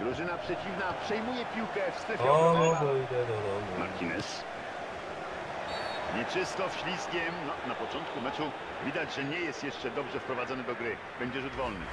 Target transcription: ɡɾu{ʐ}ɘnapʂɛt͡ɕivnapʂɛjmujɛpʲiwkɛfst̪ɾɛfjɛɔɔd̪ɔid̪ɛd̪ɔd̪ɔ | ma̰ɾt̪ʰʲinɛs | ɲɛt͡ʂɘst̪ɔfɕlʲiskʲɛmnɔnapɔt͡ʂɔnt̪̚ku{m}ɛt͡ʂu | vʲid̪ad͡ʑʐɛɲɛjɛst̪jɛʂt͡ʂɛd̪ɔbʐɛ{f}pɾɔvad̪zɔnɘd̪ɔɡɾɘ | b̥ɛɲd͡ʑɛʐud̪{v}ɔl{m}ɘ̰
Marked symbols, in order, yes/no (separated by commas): yes, yes, yes, yes, no